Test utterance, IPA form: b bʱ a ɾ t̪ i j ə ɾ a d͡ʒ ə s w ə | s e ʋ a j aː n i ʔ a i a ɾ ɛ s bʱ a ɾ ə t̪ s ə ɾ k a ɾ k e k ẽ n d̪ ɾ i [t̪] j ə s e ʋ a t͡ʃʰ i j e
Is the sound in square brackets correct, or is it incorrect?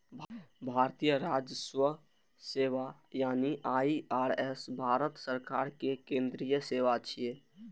incorrect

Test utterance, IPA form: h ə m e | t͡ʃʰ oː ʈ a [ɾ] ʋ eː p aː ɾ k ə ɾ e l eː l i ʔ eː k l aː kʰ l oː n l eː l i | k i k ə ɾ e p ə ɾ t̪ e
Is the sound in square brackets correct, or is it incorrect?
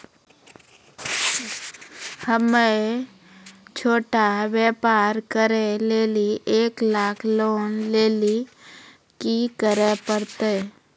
incorrect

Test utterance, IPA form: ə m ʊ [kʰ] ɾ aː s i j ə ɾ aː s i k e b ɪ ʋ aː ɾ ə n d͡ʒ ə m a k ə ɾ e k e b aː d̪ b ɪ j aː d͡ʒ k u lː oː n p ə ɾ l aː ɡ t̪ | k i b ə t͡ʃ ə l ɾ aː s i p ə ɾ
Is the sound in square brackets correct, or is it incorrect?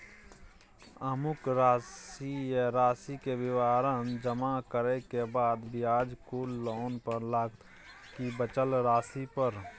incorrect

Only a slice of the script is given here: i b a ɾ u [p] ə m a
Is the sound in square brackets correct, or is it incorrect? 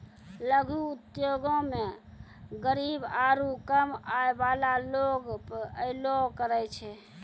incorrect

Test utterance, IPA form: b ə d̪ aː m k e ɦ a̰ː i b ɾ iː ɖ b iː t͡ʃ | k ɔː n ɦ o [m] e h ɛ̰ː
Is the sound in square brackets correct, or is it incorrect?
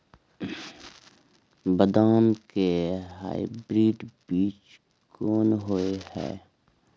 incorrect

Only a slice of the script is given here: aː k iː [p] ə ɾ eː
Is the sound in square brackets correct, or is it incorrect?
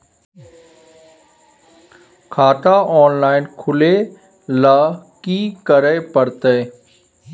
incorrect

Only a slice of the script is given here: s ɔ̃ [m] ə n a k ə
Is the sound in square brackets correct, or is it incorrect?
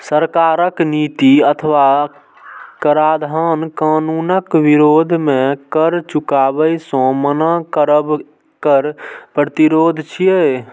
correct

